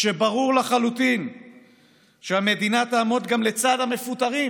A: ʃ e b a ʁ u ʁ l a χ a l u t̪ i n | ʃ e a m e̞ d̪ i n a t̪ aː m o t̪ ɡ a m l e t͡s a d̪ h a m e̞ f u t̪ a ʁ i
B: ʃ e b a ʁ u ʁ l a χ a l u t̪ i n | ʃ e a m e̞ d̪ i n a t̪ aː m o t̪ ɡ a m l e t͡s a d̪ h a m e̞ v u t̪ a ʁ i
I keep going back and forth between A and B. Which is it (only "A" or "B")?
A